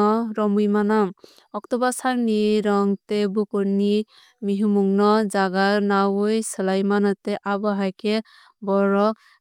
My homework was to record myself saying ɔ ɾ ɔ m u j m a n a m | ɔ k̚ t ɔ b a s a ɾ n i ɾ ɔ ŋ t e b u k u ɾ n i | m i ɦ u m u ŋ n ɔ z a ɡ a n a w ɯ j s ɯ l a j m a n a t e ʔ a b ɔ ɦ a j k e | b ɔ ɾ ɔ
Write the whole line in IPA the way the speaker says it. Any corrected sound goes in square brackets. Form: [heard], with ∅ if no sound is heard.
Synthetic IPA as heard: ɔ ɾ ɔ m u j m a n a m | ɔ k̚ t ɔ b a s a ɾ n i ɾ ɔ ŋ t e b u k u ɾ n i | m i ɦ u m u ŋ n ɔ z a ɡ a n a w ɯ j s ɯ l a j m a n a t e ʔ a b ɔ ɦ a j k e | b ɔ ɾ ɔ